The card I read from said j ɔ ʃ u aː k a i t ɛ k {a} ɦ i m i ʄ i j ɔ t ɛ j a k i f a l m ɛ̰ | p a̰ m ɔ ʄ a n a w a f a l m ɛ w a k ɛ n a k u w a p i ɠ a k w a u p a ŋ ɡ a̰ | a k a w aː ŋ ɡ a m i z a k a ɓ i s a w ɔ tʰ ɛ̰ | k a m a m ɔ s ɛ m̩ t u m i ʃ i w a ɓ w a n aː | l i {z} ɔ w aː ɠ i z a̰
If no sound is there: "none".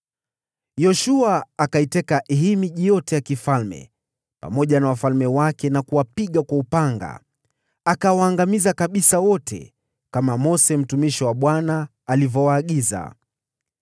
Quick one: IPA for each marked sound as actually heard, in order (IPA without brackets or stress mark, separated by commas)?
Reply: a, v